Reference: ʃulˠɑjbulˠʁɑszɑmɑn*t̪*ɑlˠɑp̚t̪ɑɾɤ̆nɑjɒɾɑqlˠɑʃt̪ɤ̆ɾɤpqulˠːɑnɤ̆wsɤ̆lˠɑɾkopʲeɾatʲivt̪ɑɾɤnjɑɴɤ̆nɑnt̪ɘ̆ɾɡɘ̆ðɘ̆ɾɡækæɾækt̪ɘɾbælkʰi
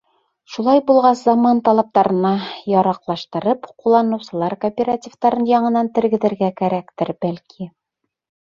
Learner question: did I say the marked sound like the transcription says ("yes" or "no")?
yes